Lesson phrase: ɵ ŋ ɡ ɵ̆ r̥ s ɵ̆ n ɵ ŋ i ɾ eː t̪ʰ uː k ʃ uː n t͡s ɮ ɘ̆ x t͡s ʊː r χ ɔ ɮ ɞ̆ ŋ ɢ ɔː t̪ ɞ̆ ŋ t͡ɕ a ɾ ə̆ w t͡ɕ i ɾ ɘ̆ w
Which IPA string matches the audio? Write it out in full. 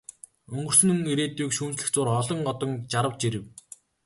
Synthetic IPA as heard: ɵ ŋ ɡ ɵ̆ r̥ s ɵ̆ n ɵ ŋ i ɾ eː t̪ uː k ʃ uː n t͡s ɮ ɘ̆ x t͡s ʊː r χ ɔ ɮ ɞ̆ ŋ ɢ ɔ t̪ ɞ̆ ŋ t͡ɕ a ɾ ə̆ w t͡ɕ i ɾ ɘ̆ w